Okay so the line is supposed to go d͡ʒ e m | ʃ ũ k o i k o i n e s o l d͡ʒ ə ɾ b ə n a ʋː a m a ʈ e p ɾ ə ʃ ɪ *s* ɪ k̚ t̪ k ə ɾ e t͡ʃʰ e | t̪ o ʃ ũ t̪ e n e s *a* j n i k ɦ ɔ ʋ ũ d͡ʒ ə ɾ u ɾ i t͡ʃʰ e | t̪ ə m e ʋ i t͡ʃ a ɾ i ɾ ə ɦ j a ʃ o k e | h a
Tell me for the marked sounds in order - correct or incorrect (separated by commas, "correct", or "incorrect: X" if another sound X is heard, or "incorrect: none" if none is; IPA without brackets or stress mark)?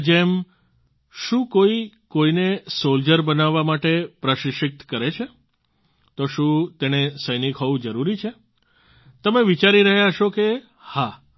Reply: incorrect: ʃ, incorrect: ə